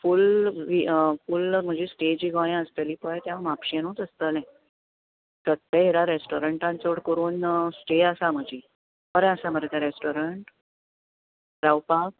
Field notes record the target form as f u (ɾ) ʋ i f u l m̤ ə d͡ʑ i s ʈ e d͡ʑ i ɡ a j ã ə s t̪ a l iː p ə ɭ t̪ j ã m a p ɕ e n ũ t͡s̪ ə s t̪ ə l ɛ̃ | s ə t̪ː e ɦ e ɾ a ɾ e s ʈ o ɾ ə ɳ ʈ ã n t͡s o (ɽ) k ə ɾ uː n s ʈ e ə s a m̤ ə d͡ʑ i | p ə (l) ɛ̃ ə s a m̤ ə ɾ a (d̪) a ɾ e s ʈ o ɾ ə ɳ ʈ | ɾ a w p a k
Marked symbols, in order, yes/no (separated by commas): no, yes, no, no